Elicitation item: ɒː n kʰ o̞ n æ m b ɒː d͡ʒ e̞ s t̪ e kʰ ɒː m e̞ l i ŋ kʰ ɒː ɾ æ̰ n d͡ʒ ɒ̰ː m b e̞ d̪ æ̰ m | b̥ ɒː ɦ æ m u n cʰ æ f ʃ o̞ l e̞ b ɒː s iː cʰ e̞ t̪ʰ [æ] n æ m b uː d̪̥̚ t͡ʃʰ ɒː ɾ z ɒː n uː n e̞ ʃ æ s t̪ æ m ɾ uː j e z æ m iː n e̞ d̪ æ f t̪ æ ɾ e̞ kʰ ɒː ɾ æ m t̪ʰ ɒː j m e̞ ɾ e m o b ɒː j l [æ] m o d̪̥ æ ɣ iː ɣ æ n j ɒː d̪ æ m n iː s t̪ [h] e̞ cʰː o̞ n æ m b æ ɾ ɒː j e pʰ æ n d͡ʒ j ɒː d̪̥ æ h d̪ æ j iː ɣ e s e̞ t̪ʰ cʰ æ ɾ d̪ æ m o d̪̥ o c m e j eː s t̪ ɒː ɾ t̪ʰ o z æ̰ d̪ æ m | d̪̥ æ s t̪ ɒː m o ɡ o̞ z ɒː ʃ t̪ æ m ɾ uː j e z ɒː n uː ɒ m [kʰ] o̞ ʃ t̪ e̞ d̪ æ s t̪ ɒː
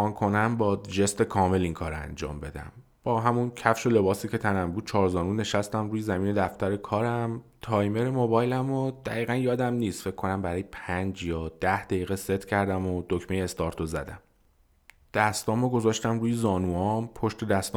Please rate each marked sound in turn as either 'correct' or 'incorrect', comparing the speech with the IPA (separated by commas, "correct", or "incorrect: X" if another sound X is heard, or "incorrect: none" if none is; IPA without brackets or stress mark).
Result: correct, correct, incorrect: f, incorrect: pʰ